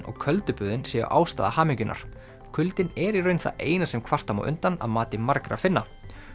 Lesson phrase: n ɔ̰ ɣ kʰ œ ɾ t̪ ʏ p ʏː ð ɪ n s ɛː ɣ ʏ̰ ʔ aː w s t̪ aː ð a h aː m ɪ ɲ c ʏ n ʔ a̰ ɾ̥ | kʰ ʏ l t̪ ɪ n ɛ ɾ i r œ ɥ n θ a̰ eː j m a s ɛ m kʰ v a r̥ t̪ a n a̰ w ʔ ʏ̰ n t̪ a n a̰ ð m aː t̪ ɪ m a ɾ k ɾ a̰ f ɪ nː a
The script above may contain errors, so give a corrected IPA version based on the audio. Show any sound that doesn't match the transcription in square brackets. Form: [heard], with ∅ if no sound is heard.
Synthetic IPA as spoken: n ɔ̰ ɣ kʰ œ [l] t̪ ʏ p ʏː ð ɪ n s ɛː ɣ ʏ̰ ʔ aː w s t̪ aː ð a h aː m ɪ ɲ c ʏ n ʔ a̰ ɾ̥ | kʰ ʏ l t̪ ɪ n ɛ ɾ i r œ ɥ n θ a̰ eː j [n] a s ɛ m kʰ v a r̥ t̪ a [m] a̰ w ʔ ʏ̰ n t̪ a n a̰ ð m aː t̪ ɪ m a ɾ k ɾ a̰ f ɪ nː a